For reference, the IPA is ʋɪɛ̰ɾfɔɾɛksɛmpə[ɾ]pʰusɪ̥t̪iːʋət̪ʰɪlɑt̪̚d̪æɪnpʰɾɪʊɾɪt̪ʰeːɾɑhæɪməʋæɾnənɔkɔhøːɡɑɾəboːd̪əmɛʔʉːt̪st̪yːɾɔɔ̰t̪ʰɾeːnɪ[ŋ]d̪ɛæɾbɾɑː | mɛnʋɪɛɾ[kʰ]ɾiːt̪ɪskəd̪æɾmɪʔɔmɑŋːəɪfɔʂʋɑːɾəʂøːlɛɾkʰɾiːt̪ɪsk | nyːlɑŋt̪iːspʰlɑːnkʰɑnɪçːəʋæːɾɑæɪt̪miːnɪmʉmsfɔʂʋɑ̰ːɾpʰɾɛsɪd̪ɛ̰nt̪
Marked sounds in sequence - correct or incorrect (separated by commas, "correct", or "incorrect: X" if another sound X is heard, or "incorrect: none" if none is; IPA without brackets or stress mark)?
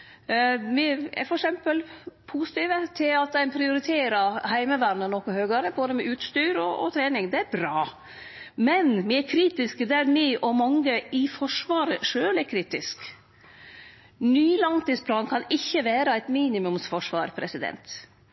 incorrect: l, correct, correct